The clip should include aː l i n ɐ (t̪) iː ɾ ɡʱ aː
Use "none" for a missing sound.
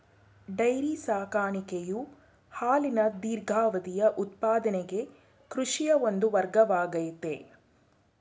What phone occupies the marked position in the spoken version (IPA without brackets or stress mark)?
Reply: d̪